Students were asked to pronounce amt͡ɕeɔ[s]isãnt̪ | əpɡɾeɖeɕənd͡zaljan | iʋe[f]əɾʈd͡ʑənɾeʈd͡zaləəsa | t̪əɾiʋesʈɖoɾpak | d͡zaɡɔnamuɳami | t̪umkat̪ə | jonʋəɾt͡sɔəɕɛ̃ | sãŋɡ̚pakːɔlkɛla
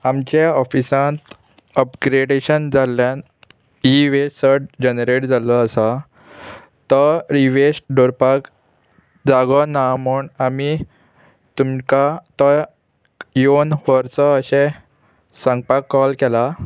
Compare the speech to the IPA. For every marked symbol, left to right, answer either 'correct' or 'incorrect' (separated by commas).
incorrect, incorrect